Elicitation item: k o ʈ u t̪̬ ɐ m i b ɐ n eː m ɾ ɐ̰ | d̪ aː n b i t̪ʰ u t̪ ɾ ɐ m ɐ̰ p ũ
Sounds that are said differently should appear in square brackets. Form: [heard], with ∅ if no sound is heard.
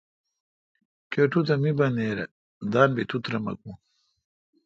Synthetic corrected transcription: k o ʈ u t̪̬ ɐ m i b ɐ n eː [∅] ɾ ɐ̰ | d̪ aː n b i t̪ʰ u t̪ ɾ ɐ m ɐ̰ [k] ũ